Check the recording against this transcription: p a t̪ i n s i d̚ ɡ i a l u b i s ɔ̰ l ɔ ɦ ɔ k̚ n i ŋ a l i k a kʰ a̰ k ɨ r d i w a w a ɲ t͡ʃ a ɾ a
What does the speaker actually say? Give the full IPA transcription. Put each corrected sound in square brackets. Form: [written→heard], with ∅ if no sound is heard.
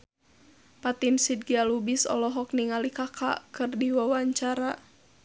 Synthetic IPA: p a t̪ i n s i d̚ ɡ i a l u b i s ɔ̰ l ɔ ɦ ɔ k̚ n i ŋ a l i k a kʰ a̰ k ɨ r d i w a w a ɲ t͡ʃ a ɾ a